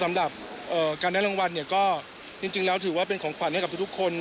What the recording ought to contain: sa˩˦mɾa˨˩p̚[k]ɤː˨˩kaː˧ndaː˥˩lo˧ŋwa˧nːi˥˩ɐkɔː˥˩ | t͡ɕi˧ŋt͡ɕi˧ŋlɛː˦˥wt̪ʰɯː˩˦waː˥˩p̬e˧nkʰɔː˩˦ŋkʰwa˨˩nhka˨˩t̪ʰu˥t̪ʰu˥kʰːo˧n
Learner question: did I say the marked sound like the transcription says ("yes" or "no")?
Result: no